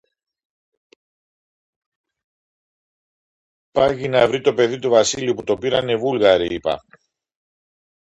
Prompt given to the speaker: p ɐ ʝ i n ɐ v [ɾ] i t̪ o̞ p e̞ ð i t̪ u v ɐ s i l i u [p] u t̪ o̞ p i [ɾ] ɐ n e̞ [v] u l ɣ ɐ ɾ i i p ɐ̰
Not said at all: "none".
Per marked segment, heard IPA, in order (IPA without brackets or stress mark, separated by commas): ɾ, p, ɾ, v